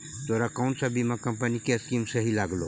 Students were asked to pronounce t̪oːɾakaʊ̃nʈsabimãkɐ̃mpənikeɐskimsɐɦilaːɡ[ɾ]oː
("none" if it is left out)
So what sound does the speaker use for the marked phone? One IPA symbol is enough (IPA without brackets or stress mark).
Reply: l